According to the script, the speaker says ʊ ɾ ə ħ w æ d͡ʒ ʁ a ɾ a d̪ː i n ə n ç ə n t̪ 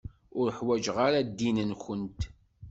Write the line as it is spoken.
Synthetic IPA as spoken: ʊ ɾ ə ħ w æ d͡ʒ ʁ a ɾ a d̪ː i n ə n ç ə n t̪

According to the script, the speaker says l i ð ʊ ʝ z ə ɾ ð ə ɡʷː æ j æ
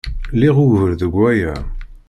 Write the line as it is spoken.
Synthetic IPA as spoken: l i ʁ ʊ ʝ v ə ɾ ð ə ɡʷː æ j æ

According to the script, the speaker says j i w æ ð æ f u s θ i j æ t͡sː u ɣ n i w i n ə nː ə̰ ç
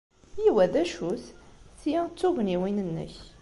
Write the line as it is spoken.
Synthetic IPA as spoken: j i w æ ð æ ʃ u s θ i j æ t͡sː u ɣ n i w i n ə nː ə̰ ç

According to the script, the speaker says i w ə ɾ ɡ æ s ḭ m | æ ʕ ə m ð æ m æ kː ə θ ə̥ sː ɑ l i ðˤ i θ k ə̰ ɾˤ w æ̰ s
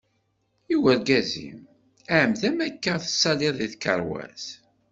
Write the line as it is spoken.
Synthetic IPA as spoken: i w ə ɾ ɡ æ z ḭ m | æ ʕ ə m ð æ m æ kː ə θ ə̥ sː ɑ l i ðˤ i θ k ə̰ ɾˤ w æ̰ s

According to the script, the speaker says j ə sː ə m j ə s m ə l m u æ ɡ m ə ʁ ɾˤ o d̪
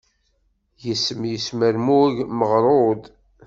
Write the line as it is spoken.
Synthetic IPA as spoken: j ə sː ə m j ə s m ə ɾ m u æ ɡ m ə ʁ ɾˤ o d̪

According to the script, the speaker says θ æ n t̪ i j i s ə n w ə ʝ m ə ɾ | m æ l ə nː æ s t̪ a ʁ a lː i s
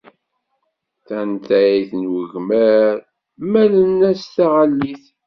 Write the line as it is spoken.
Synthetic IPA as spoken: θ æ n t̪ æ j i θ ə n w ə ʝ m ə ɾ | m æ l ə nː æ s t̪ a ʁ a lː i θ

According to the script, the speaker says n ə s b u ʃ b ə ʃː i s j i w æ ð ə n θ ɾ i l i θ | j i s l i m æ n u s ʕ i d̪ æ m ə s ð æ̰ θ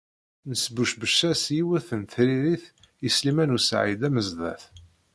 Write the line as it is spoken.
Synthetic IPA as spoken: n ə s b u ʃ b ə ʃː æ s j i w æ θ ə n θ ɾ i ɾ i θ | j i s l i m æ n u s ʕ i d̪ æ m ə z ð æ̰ θ

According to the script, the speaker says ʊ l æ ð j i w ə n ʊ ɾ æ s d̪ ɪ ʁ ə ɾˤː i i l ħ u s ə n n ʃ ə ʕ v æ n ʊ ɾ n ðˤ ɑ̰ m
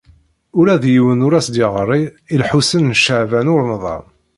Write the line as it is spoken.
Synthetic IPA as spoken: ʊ ɾ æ ð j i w ə n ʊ ɾ æ s d̪ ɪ ʁ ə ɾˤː i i l ħ u s ə n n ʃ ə ʕ v æ n ʊ ɾ n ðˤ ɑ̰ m

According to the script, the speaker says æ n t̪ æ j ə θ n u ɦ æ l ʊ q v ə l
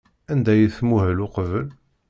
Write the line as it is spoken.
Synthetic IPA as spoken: æ n d̪ æ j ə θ m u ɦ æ l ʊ q v ə l

